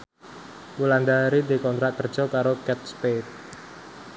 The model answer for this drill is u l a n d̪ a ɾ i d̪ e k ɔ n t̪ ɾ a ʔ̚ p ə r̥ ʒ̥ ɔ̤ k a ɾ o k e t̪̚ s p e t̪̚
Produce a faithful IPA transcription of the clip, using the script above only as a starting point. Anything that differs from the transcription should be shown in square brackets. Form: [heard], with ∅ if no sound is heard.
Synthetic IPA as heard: u l a n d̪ a ɾ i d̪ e k ɔ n t̪ ɾ a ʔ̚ [k] ə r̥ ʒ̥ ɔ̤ k a ɾ o k [ɛ] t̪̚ s p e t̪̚